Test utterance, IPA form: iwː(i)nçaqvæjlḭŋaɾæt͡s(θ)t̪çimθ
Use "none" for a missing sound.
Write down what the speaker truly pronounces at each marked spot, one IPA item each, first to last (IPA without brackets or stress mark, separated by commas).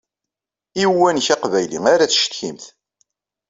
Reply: æ, ʃ